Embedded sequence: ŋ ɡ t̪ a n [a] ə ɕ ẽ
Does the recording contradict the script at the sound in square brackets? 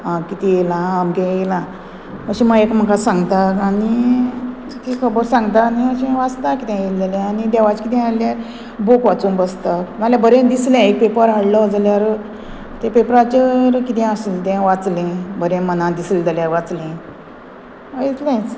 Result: yes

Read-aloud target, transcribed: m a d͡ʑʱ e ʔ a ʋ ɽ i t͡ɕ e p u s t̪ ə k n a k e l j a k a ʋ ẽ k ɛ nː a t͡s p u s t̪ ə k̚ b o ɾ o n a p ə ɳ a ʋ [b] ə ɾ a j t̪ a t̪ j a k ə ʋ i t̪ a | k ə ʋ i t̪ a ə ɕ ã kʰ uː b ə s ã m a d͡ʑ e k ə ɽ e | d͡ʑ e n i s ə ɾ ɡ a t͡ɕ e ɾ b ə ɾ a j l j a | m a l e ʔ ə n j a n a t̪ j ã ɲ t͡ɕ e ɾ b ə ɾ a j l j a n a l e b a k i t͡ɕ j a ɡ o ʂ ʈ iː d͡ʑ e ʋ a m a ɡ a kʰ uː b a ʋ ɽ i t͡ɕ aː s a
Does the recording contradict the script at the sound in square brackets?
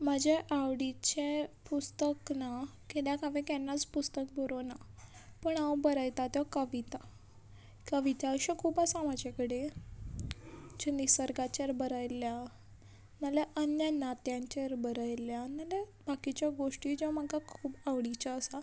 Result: no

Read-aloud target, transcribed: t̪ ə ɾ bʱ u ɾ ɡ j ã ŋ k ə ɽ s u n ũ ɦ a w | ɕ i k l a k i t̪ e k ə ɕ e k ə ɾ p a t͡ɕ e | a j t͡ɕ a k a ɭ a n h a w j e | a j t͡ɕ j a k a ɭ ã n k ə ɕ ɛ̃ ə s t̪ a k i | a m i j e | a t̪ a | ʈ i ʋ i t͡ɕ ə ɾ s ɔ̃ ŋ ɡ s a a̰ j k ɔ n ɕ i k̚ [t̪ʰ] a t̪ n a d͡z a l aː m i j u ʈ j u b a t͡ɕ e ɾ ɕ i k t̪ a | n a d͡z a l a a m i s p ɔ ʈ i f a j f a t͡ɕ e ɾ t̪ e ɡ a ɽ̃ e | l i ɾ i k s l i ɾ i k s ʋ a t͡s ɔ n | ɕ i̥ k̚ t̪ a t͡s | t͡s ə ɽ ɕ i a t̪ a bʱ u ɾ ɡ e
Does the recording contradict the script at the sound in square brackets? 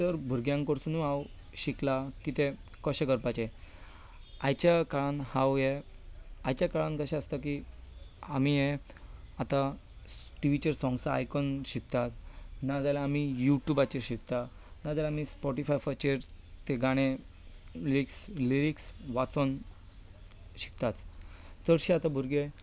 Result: yes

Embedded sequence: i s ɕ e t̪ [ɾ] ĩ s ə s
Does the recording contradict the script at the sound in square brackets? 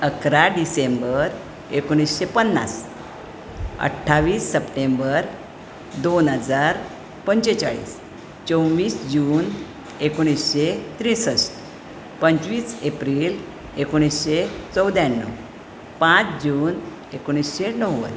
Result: no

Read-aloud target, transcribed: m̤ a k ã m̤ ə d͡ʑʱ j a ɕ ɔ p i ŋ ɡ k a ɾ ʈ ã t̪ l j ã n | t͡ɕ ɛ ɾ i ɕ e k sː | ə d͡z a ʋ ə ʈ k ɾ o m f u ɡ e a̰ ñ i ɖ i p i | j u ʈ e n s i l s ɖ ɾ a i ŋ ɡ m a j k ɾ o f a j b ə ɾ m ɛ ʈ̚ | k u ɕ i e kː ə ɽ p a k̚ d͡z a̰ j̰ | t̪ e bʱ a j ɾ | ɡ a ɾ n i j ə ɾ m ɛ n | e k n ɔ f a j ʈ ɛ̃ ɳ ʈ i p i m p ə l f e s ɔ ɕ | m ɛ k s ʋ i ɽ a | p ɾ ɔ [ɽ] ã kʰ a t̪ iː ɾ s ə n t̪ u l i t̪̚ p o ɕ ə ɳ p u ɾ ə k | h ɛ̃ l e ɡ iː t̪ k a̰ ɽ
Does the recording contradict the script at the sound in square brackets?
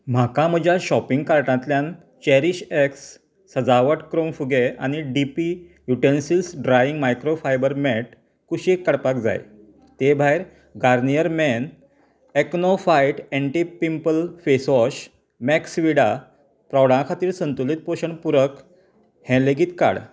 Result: no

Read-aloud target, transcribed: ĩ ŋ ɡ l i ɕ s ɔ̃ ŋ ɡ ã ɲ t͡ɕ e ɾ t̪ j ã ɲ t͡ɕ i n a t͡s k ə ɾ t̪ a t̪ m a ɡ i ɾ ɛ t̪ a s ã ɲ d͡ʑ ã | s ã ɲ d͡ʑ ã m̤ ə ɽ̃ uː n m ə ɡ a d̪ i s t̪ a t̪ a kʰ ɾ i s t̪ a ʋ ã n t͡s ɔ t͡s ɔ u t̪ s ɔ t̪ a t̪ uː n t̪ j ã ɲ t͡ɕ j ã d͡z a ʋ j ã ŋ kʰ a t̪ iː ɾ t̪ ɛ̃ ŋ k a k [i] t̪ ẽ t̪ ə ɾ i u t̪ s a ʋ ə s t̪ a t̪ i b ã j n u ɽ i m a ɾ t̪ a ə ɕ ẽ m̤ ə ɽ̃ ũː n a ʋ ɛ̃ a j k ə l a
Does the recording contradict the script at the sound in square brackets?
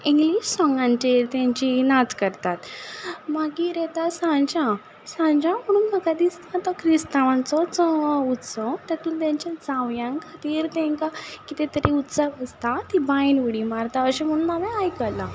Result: no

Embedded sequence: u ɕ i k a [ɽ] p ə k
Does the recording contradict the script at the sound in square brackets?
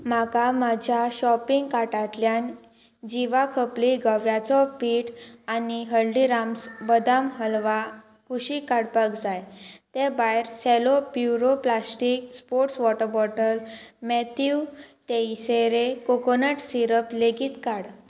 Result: no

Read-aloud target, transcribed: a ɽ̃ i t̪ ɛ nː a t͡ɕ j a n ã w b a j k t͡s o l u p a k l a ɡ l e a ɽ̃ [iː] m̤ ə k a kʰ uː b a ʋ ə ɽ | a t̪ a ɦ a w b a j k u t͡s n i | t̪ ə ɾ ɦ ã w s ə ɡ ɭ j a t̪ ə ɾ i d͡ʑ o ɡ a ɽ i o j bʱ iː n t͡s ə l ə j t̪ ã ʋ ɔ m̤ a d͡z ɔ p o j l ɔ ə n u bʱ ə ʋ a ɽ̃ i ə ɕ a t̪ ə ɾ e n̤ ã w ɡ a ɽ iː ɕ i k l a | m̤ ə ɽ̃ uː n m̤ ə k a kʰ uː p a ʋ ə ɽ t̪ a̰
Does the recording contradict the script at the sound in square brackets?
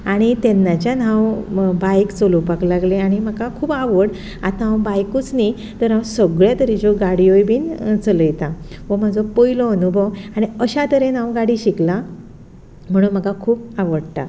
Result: yes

